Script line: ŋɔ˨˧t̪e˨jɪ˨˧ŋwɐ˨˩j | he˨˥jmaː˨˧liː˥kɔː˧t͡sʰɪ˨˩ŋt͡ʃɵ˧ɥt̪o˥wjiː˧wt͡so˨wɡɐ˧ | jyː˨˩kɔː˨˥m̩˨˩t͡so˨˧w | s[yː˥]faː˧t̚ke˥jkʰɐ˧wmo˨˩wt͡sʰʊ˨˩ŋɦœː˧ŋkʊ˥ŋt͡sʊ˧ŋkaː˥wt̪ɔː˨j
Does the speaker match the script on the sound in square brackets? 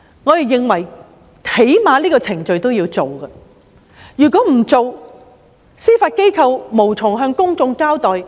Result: no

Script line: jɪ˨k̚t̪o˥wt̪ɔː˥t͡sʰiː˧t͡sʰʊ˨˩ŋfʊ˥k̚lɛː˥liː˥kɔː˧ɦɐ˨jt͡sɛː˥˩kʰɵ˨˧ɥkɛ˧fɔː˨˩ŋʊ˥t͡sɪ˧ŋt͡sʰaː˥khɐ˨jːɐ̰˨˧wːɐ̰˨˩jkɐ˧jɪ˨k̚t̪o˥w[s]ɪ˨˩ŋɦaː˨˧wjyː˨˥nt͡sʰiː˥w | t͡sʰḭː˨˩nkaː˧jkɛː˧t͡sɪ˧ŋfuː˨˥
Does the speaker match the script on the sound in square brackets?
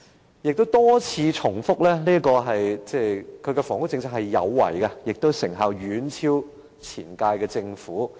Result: yes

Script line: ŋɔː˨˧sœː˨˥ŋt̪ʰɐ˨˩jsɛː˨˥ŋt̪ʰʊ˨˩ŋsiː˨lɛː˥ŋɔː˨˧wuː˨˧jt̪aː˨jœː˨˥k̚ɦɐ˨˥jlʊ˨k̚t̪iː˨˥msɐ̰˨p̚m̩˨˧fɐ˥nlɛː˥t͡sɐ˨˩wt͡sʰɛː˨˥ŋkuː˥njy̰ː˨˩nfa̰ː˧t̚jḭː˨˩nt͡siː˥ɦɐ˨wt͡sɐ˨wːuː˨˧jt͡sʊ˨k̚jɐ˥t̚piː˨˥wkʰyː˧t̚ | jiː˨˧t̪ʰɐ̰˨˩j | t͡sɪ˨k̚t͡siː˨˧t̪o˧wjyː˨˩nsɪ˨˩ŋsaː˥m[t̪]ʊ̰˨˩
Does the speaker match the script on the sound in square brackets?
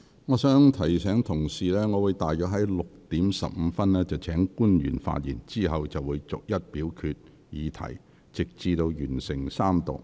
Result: yes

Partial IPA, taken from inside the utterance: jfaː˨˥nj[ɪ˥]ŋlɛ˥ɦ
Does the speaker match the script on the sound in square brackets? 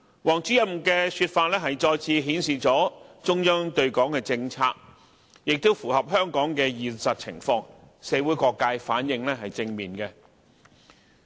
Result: no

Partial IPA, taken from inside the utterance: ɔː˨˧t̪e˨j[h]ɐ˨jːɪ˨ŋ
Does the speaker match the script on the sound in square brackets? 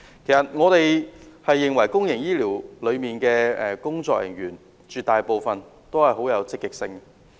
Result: yes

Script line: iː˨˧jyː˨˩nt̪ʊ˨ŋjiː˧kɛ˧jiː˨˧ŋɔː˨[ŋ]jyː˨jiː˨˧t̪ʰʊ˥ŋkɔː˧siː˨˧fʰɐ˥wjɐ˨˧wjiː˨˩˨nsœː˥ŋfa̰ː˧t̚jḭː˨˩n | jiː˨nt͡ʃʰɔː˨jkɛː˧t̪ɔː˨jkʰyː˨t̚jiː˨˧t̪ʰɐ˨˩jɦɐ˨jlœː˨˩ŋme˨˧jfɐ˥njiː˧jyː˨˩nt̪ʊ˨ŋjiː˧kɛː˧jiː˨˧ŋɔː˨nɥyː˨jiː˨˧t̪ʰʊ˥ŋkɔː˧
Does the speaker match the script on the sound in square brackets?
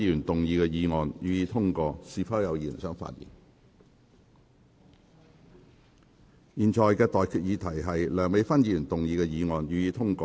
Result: no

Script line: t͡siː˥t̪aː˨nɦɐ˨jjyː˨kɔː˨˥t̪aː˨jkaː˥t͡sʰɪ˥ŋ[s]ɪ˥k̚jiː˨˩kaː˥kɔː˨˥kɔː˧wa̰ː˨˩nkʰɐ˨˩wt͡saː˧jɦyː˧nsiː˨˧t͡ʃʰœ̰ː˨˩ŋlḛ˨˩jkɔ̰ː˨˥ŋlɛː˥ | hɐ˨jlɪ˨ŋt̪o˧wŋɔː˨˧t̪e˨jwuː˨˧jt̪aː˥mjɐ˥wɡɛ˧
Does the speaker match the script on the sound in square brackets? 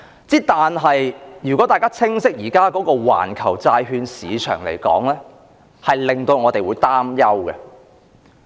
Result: yes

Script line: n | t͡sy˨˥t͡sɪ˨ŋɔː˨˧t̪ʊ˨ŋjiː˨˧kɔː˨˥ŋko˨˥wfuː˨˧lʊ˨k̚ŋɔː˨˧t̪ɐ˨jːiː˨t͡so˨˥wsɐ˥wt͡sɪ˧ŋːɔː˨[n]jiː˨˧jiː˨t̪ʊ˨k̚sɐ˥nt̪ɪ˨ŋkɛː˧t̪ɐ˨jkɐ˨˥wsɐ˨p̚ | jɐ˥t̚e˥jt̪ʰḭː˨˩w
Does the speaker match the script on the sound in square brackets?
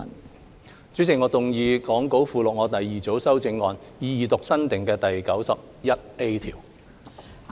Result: yes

